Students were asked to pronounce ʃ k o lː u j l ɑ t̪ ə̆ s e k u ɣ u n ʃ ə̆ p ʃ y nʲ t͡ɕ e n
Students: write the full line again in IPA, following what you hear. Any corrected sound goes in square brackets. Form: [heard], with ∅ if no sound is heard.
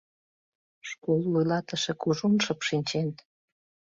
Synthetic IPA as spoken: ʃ k o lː u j l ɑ t̪ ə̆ [ʃ] e k u [ʒ] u n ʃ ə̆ p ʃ [i] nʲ t͡ɕ e n